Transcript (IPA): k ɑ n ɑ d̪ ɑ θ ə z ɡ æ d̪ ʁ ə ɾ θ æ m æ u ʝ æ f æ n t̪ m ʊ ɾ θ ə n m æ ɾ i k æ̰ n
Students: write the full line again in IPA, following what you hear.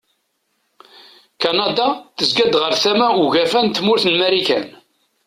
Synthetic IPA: k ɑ n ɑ d̪ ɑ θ ə z ɡ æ d̪ ʁ ə ɾ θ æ m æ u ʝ æ f æ n t̪ m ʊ ɾ θ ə n m æ ɾ i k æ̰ n